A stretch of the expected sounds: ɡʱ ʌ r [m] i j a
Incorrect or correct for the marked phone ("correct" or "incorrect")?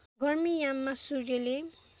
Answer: correct